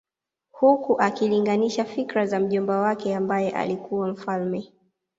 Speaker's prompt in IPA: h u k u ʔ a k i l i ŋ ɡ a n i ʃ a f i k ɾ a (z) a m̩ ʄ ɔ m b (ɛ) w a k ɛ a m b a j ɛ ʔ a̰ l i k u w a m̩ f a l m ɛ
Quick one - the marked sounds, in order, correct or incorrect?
correct, incorrect: a

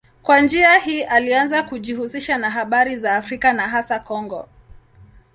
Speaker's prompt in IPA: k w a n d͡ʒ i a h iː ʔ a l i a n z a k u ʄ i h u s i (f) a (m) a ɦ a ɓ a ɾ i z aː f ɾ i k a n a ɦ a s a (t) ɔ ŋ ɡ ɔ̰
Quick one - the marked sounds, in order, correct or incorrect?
incorrect: ʃ, incorrect: n, incorrect: k

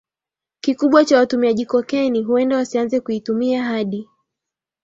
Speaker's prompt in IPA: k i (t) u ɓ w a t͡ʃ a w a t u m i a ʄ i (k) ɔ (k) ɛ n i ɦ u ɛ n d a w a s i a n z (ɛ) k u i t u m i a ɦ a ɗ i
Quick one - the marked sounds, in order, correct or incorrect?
incorrect: k, correct, correct, correct

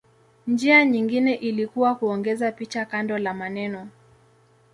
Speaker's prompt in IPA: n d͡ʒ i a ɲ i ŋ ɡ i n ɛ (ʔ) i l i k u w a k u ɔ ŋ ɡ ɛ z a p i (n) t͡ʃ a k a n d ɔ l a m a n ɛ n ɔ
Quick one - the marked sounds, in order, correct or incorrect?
correct, incorrect: none

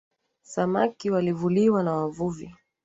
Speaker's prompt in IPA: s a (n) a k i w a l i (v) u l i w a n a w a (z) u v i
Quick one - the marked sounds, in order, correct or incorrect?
incorrect: m, correct, incorrect: v

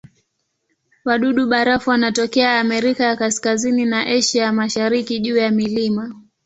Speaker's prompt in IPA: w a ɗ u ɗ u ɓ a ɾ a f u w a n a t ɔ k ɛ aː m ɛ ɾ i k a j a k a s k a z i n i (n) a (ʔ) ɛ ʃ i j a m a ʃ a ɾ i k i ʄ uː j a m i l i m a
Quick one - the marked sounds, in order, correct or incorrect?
correct, correct

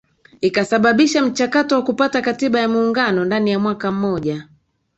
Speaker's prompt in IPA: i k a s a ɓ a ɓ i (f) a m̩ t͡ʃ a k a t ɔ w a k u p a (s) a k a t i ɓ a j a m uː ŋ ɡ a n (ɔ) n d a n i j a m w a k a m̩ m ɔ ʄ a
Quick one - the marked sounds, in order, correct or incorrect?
incorrect: ʃ, incorrect: t, correct

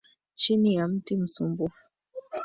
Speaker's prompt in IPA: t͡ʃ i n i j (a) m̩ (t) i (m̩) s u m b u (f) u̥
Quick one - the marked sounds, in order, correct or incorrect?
correct, correct, correct, correct

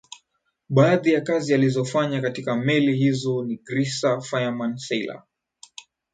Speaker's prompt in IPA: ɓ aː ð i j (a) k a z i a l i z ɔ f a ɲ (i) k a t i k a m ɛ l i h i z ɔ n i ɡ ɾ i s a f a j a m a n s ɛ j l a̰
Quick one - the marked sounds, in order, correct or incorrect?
correct, incorrect: a

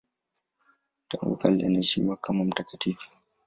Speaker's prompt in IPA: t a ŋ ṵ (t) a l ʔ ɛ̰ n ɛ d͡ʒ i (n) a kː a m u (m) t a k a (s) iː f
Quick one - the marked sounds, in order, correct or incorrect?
incorrect: k, incorrect: m, correct, incorrect: t

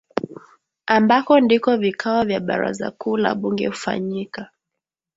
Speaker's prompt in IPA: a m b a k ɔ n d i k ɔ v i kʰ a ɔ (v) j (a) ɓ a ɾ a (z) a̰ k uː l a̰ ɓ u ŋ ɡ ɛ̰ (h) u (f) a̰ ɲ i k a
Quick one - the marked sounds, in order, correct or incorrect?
correct, correct, correct, correct, correct

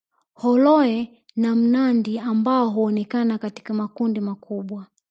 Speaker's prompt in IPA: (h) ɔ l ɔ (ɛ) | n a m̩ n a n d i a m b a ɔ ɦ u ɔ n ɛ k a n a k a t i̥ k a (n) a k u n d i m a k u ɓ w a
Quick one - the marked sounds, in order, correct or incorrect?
correct, correct, incorrect: m

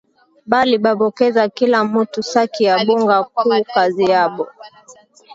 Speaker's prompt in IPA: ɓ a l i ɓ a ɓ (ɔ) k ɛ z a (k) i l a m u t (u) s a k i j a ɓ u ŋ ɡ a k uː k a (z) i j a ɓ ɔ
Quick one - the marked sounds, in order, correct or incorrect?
correct, correct, correct, correct

